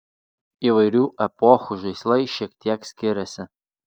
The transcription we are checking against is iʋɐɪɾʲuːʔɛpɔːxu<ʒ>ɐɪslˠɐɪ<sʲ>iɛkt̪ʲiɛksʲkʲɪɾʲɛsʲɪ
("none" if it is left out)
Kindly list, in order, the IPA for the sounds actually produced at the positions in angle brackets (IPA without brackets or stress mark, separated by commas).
ʒ, ʃʲ